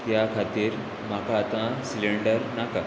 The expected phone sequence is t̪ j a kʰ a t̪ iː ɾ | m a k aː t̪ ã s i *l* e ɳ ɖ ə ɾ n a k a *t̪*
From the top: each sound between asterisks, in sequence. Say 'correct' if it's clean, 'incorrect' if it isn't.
correct, incorrect

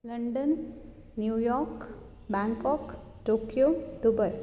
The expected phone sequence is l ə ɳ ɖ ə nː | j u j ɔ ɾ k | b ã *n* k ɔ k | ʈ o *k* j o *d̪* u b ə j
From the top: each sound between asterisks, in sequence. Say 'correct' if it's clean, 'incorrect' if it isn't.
incorrect, correct, correct

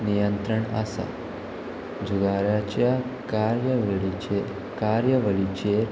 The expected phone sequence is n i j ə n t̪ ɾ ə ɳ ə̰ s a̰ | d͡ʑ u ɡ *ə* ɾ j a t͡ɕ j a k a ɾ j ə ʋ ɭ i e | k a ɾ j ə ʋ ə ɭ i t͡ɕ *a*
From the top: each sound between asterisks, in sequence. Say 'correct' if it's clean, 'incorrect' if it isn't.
incorrect, incorrect

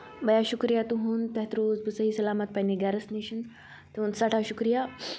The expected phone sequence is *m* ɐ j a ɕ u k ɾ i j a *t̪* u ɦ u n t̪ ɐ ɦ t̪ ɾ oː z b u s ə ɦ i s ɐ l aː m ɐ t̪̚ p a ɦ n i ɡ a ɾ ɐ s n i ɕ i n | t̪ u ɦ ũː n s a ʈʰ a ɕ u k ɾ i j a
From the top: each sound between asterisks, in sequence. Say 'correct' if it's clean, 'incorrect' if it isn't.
incorrect, correct

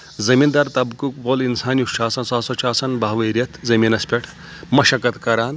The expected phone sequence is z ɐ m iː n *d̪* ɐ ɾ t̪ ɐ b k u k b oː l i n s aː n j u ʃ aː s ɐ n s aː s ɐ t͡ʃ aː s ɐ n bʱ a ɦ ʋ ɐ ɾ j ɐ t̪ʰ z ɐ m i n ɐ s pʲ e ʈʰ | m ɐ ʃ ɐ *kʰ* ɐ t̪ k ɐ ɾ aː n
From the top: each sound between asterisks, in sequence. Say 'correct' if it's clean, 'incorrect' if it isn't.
correct, incorrect

